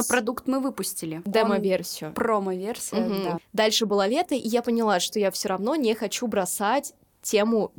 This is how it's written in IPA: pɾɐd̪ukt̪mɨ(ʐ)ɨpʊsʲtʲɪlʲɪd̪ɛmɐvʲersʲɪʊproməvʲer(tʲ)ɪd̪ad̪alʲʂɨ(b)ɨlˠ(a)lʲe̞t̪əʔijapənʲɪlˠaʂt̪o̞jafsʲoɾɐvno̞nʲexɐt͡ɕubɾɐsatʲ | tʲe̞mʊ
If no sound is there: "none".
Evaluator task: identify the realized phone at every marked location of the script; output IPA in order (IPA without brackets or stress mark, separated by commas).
v, sʲ, b, a